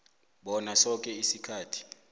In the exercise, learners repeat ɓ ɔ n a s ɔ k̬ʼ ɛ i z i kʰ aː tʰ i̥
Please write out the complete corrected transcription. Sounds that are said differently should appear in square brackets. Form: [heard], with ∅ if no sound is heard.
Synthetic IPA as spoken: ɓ ɔ n a s ɔ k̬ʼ ɛ i [s] i kʰ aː tʰ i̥

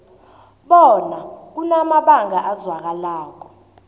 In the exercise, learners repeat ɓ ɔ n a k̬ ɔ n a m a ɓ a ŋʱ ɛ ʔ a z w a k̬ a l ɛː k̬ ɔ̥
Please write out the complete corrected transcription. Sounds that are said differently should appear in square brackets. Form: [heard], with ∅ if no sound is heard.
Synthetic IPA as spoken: ɓ ɔ n a k̬ [u] n a m a ɓ a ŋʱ [a] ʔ a z w a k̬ a l [aː] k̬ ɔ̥

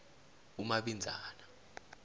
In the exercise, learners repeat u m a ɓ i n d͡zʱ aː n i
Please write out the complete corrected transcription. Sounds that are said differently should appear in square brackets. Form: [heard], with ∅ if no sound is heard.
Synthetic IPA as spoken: u m a ɓ i n d͡zʱ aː n [a]

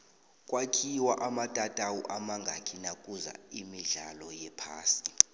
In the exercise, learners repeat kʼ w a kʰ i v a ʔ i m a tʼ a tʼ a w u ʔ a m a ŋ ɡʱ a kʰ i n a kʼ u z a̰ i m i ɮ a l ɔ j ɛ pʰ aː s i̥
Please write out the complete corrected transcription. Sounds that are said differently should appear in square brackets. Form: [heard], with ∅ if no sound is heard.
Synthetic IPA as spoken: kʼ w a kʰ i [w] a ʔ [a] m a tʼ a tʼ a w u ʔ a m a ŋ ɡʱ a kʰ i n a kʼ u z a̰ i m i ɮ a l ɔ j ɛ pʰ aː s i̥

